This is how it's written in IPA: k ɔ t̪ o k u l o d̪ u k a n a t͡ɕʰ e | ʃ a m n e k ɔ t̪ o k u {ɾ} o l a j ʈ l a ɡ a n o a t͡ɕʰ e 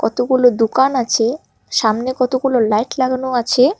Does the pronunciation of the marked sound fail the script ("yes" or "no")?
yes